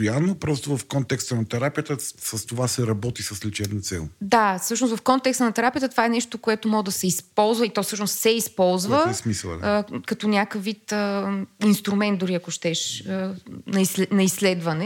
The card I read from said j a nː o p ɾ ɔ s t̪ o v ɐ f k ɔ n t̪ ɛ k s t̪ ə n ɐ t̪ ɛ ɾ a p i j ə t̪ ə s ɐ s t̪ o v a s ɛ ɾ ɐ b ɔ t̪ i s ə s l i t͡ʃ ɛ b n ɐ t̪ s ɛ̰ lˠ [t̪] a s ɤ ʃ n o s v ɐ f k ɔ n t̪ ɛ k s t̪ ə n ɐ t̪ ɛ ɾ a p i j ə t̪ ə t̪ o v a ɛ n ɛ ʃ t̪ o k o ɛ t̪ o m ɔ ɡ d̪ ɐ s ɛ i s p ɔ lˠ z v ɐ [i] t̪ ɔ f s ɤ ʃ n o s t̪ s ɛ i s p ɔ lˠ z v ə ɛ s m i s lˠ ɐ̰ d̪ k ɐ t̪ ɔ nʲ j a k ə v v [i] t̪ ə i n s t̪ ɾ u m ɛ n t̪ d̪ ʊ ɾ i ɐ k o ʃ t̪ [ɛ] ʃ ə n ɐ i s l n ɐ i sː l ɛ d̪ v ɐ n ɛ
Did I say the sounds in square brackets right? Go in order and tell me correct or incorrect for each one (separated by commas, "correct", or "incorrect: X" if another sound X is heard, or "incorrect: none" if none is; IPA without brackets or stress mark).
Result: incorrect: d̪, correct, correct, correct